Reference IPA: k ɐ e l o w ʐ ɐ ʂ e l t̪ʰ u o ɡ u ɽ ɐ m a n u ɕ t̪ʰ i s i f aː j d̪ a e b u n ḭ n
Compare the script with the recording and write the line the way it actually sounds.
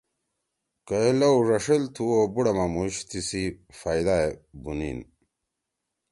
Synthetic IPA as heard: k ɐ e l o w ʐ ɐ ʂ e l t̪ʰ u o b u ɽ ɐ m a m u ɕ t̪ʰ i s i f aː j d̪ a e b u n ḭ n